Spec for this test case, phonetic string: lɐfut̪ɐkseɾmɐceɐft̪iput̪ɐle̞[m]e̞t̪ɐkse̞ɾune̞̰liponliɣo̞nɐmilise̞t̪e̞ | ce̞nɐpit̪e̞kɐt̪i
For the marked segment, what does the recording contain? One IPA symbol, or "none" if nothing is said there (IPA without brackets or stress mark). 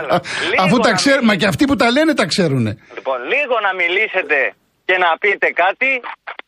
n